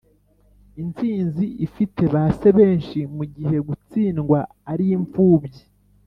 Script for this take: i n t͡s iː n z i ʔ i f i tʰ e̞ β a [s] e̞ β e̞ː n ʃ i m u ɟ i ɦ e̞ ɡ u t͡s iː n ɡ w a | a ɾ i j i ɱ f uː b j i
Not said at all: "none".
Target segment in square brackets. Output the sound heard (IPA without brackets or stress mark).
s